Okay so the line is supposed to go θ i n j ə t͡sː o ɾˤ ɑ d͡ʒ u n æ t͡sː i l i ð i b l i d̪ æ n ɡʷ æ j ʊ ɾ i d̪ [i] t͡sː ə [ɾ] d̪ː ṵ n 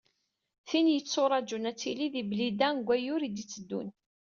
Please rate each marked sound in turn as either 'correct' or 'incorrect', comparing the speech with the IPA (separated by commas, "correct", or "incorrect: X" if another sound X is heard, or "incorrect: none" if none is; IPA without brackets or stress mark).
correct, incorrect: none